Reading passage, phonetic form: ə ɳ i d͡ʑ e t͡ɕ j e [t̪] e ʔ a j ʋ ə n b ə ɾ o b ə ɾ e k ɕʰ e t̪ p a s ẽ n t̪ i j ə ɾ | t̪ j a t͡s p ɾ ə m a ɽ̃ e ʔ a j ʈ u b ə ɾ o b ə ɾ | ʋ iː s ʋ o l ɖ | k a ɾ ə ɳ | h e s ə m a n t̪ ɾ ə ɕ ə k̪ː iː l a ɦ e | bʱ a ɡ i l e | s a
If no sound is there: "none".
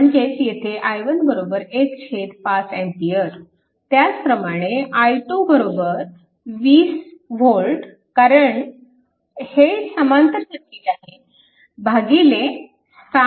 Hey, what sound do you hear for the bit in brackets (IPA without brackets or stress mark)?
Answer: t̪ʰ